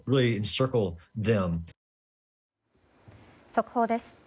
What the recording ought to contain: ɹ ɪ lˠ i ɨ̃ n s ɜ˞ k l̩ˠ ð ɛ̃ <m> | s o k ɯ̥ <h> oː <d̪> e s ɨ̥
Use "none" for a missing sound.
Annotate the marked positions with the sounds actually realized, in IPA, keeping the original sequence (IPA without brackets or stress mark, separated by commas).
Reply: m, h, d̪